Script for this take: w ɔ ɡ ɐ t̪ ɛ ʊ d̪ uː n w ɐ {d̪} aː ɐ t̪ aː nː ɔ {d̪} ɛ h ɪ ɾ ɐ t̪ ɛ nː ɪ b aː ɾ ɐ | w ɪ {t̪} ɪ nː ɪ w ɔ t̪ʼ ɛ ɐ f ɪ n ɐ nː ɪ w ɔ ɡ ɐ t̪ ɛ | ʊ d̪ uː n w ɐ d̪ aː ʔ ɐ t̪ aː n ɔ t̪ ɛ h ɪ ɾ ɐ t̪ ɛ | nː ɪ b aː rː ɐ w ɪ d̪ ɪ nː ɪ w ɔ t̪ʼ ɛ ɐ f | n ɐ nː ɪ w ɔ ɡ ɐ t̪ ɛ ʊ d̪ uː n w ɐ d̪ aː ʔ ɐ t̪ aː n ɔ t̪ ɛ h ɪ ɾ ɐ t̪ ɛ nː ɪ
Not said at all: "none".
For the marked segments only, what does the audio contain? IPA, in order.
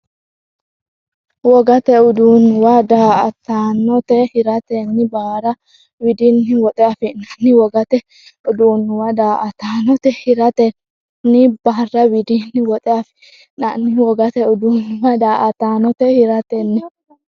d̪, t̪, d̪

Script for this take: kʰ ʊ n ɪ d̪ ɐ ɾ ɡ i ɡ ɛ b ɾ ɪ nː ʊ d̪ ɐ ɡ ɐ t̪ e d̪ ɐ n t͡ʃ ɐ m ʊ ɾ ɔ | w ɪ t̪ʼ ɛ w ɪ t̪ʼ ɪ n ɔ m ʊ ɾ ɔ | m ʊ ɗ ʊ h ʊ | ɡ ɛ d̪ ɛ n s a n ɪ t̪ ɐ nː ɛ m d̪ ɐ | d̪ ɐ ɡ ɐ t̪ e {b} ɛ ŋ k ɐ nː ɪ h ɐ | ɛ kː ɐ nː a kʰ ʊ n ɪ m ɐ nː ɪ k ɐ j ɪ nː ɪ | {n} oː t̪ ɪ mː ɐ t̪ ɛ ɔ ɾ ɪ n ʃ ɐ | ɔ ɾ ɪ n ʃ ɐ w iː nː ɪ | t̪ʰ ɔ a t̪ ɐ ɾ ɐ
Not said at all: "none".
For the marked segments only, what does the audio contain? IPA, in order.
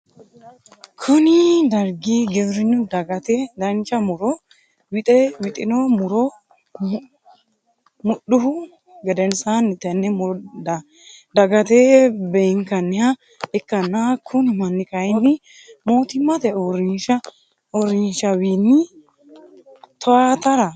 b, m

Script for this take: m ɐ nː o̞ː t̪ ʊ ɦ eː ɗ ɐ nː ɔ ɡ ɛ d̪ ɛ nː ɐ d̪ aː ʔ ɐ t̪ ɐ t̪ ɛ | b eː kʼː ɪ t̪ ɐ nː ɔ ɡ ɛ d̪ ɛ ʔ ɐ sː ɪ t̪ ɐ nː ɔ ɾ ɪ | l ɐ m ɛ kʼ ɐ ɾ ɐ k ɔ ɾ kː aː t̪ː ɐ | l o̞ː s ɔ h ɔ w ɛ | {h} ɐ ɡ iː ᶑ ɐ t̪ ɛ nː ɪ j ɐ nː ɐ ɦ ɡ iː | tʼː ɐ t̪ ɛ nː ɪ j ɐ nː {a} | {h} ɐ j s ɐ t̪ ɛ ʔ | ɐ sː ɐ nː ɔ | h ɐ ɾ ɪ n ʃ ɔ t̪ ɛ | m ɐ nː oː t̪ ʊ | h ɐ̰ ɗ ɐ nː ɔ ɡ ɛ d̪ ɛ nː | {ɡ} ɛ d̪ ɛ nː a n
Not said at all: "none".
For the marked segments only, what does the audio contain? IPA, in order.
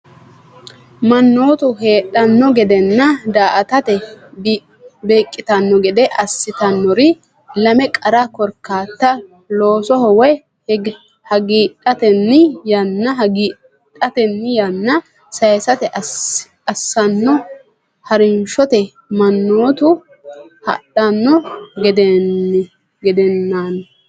h, ɐ, s, ɡ

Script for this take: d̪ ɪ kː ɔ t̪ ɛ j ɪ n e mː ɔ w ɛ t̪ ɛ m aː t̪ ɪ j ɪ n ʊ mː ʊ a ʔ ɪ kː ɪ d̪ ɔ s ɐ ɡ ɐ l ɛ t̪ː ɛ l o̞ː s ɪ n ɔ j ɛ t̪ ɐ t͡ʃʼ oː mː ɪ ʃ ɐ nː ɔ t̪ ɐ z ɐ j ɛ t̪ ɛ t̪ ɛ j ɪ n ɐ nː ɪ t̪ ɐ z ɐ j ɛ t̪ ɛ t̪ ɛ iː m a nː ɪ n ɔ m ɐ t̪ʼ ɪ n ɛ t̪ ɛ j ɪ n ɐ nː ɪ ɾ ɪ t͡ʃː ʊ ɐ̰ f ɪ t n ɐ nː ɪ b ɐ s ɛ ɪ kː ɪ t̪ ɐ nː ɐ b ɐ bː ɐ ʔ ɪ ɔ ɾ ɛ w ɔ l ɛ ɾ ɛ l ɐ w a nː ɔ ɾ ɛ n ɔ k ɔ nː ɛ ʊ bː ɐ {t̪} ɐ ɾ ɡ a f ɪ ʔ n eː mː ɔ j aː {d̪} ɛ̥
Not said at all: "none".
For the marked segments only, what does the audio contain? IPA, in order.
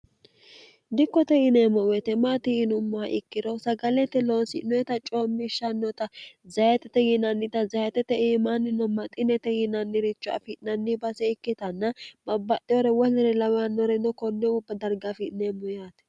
d̪, t̪

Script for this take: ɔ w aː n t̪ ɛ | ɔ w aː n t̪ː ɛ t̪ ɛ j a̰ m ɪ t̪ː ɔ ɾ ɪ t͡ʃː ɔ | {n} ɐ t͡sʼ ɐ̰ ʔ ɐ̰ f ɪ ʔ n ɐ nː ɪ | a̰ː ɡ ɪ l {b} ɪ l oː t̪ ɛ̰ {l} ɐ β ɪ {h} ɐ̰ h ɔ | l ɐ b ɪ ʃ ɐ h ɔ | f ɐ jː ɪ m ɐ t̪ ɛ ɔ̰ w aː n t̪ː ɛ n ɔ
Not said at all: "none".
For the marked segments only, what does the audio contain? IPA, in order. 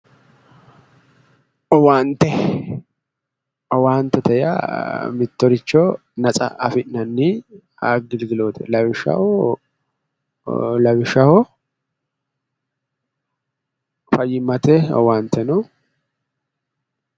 n, ɡ, l, ʃ

